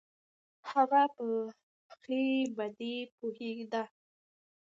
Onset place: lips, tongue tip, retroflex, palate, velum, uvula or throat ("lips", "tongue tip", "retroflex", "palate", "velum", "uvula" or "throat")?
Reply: throat